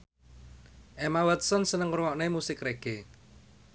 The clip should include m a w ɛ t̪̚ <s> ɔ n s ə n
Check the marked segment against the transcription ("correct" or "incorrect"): correct